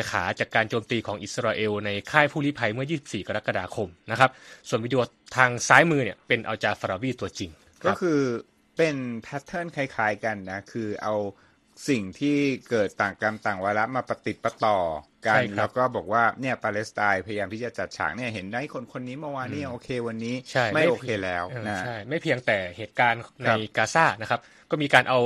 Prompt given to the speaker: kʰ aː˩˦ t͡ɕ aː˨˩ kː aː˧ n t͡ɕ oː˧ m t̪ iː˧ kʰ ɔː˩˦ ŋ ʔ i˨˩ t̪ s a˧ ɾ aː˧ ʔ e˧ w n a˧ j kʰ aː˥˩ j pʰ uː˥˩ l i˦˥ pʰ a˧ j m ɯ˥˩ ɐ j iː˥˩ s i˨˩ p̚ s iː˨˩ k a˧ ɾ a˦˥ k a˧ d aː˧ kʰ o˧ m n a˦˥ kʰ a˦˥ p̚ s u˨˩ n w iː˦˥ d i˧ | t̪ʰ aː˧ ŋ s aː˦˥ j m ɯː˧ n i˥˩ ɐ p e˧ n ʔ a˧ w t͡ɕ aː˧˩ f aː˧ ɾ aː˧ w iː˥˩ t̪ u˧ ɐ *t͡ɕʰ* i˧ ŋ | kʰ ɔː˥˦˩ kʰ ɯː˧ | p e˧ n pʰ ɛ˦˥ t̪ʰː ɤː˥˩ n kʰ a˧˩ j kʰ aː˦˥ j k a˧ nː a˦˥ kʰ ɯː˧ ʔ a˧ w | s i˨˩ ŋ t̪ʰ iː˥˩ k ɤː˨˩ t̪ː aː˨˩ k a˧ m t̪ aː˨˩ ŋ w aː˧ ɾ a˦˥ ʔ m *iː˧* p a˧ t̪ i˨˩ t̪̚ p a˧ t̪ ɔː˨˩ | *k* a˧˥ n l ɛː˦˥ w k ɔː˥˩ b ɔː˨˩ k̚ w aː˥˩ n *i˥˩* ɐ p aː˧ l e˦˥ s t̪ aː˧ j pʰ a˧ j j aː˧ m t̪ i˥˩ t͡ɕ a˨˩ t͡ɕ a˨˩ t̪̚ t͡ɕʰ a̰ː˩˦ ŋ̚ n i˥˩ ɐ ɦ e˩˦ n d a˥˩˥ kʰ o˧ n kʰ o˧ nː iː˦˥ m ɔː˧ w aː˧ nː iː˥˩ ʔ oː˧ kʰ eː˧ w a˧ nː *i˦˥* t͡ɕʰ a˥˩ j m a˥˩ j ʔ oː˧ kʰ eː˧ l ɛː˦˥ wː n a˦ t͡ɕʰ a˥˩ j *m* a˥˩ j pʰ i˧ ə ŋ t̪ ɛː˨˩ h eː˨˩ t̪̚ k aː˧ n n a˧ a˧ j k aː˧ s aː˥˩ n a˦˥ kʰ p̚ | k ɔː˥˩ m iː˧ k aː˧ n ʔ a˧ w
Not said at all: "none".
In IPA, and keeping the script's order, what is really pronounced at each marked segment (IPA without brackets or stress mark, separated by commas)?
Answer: t͡ɕ, aː˧, k, i˥˩, iː˦˥, m